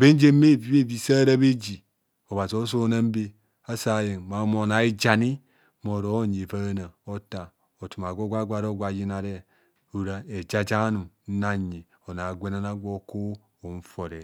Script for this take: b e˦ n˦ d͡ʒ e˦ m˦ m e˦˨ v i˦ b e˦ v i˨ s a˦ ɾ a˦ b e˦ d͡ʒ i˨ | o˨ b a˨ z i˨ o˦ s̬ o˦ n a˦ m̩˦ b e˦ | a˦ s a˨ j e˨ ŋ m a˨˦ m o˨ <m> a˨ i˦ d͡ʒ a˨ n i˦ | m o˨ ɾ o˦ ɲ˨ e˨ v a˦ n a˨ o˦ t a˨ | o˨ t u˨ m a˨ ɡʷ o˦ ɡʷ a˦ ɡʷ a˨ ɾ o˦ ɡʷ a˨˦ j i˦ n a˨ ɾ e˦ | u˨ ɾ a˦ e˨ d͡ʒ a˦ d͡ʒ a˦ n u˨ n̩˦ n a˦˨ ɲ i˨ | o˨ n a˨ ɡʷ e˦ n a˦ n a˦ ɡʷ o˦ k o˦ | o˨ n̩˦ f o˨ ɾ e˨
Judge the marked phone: incorrect: n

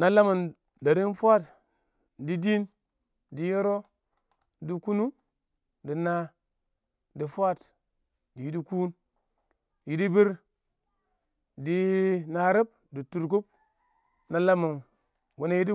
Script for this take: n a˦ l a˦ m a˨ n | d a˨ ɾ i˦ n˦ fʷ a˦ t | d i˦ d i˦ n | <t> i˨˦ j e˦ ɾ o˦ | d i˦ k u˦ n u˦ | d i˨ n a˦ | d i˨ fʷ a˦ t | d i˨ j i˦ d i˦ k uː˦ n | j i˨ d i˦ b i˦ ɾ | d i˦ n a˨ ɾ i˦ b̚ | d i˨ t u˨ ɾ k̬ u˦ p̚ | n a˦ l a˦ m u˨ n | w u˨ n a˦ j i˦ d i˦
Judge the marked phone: incorrect: d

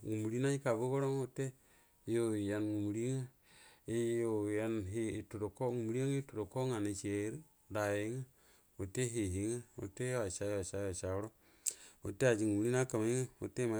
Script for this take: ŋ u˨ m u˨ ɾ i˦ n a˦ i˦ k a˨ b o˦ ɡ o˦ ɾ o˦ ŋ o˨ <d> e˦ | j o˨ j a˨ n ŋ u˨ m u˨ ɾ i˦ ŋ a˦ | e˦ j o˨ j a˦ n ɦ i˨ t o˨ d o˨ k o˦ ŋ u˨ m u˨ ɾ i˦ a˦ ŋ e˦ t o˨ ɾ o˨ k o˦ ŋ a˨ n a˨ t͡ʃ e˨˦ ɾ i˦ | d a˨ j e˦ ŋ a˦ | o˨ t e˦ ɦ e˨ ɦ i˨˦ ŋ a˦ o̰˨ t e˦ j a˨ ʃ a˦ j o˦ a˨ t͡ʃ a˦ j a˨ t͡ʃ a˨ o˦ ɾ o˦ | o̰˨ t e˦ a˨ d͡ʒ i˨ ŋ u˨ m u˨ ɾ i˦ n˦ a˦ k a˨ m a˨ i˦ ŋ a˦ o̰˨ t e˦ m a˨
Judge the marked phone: incorrect: t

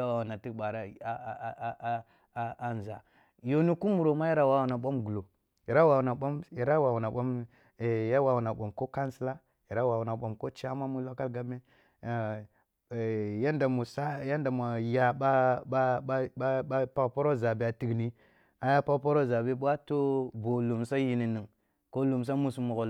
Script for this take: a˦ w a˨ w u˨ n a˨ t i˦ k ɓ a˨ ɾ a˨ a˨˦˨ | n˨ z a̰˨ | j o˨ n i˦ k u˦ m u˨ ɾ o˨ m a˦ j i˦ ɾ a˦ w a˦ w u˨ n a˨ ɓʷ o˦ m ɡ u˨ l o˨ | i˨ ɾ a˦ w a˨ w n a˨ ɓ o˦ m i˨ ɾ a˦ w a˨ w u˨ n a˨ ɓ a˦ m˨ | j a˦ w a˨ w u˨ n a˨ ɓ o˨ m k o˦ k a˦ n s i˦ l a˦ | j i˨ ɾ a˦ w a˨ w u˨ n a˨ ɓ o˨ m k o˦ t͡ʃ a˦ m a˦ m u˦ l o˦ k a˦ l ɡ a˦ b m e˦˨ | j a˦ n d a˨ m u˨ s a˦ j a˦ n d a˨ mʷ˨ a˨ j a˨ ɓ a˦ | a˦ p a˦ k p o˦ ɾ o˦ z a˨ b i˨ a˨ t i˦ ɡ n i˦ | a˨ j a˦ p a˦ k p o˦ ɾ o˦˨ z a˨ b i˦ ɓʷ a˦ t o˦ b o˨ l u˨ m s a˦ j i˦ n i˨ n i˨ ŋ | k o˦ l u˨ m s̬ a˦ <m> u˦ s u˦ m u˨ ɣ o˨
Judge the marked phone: correct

